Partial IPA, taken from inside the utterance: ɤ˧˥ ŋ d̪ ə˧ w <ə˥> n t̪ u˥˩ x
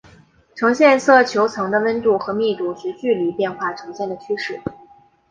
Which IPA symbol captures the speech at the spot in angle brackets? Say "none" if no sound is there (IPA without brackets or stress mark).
ə˥